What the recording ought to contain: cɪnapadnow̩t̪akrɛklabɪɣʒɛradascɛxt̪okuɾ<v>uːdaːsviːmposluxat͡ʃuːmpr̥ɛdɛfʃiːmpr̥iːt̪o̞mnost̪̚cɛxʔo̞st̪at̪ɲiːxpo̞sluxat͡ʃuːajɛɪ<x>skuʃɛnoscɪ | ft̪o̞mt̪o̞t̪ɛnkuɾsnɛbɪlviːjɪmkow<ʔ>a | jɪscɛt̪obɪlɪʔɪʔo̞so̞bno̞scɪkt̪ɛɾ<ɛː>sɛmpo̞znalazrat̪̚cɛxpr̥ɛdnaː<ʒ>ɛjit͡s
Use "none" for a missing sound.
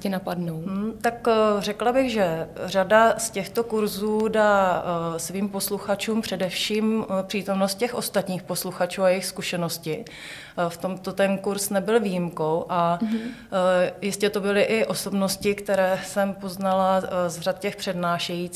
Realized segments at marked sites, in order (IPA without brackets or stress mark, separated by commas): z, x, ʔ, ɛː, ʃ